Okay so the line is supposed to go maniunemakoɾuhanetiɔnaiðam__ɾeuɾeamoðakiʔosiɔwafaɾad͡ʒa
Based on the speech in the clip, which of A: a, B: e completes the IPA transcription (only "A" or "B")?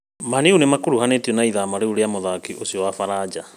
A